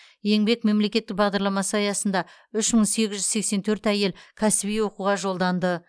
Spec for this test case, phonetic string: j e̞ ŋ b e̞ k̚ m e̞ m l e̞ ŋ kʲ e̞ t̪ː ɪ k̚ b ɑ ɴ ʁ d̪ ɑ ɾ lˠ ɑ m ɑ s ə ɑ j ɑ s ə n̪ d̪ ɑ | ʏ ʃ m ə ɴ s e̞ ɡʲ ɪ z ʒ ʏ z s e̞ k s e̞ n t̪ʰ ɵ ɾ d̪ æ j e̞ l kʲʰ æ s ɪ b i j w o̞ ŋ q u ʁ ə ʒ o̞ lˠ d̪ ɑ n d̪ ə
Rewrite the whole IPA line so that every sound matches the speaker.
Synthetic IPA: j e̞ ŋ b e̞ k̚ m e̞ m l e̞ kʲ e̞ t̪ː ɪ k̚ b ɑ ʁ d̪ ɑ ɾ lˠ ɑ m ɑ s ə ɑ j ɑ s ə n̪ d̪ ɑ | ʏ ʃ m ə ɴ s e̞ ɡʲ ɪ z ʒ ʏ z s e̞ k s e̞ n t̪ʰ ɵ ɾ t̪ æ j e̞ l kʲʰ æ s ɪ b i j w o̞ q u ʁ ɑ ʒ o̞ lˠ d̪ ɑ n d̪ ə